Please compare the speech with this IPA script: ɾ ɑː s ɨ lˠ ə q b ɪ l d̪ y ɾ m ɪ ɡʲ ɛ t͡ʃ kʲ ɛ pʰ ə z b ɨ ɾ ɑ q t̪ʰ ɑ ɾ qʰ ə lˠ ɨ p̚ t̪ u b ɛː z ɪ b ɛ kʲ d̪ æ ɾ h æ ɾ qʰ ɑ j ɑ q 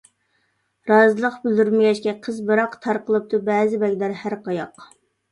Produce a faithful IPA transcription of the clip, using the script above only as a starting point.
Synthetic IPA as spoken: ɾ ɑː z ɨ lˠ ə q b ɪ l d̪ y ɾ m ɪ ɡʲ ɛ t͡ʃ kʲ ɛ qʰ ə z b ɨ ɾ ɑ q t̪ʰ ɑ ɾ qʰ ə lˠ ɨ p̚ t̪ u b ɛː z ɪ b ɛ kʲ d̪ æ ɾ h æ ɾ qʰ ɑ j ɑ q